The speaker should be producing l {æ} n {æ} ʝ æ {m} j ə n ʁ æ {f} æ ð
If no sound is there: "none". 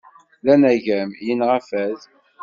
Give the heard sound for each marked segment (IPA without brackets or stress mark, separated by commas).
æ, æ, m, f